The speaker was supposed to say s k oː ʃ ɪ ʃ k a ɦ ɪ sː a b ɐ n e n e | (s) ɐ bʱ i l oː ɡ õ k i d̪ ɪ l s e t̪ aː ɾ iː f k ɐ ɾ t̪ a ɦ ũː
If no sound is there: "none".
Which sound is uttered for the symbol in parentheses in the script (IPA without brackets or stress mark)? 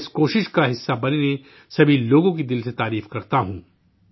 s